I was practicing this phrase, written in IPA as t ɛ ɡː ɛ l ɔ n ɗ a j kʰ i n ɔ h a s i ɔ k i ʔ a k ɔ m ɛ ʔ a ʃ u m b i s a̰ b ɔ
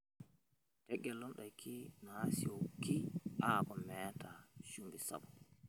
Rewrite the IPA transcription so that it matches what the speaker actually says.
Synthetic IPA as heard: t ɛ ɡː ɛ l ɔ n ɗ a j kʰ i n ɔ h a s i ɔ k i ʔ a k ɔ m ɛ t a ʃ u m b i s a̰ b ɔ